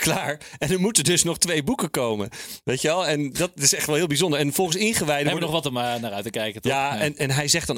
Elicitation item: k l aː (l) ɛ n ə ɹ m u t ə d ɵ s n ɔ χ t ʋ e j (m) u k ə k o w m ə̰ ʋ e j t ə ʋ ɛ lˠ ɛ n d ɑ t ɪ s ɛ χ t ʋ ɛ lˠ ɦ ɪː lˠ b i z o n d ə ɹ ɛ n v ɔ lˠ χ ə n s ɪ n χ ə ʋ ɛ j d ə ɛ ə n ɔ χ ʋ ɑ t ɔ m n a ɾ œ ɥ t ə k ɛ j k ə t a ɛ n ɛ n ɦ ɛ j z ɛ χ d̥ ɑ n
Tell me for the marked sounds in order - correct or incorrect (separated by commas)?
incorrect, incorrect